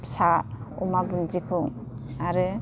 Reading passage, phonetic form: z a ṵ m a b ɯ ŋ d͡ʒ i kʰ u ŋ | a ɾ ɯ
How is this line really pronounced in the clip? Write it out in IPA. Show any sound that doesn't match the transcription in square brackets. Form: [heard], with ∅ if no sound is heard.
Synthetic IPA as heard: [s] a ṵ m a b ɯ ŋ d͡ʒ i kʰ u ŋ | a ɾ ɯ